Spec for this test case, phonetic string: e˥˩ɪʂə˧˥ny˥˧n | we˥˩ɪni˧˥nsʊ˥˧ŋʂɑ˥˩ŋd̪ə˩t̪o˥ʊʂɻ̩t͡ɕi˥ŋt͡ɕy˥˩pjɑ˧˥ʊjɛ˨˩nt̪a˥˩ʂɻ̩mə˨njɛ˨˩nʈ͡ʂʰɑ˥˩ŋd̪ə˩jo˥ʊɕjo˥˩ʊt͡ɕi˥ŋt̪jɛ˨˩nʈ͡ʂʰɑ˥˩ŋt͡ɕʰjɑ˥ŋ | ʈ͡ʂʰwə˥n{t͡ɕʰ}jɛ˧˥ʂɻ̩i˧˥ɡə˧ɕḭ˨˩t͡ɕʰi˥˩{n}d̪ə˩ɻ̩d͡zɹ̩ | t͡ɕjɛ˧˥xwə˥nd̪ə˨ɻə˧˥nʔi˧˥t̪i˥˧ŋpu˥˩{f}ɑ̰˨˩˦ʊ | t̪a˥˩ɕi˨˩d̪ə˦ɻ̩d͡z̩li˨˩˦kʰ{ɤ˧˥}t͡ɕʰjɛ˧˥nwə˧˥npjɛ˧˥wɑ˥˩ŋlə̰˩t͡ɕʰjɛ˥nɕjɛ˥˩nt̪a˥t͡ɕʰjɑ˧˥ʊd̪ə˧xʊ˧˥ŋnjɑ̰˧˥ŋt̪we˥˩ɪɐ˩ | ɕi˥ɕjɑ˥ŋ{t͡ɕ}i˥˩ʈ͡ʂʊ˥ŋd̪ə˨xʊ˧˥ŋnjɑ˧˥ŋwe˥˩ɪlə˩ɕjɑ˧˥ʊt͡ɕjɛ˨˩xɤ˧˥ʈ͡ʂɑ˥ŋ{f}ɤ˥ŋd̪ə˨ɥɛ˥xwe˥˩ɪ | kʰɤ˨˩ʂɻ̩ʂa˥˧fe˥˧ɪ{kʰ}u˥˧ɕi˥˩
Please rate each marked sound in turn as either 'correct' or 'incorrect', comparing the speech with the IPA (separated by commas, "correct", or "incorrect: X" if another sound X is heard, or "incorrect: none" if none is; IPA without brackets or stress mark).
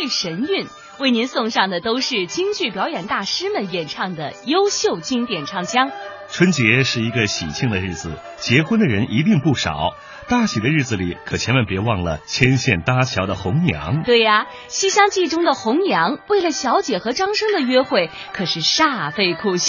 incorrect: t͡ɕ, incorrect: ŋ, incorrect: ʂ, incorrect: ɤ˨˩, correct, incorrect: ʂ, correct